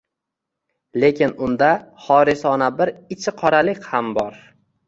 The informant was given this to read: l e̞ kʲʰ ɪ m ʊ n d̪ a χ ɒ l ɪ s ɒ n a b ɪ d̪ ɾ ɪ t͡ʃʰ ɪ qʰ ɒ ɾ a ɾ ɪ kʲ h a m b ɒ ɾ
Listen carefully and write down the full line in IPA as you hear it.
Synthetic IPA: l e̞ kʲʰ ɪ n ʊ n d̪ a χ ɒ ɾ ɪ s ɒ n a b ɪ ɾ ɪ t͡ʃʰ ɪ qʰ ɒ ɾ a l ɪ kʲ h a m b ɒ ɾ